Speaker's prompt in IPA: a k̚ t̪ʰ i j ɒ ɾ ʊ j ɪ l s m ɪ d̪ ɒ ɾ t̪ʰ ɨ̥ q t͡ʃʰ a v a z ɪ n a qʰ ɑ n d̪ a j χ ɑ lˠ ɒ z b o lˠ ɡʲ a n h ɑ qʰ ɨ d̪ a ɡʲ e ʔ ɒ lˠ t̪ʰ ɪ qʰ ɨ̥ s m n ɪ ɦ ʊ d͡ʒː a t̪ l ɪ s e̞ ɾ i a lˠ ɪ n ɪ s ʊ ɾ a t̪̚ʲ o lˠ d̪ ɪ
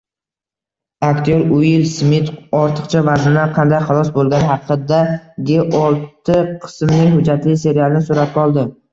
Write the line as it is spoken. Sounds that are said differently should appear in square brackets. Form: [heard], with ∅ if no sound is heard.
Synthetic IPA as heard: a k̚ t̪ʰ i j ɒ ɾ ʊ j ɪ l s m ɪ [t̪] ɒ ɾ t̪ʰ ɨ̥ q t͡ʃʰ a v a z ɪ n a qʰ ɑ n d̪ a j χ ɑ lˠ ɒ [s] b o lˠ ɡʲ a n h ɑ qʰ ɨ d̪ a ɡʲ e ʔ ɒ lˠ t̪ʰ ɪ qʰ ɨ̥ s m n ɪ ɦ ʊ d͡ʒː a t̪ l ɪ s e̞ ɾ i a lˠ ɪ n ɪ s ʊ ɾ a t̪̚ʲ [ɒ] lˠ d̪ ɪ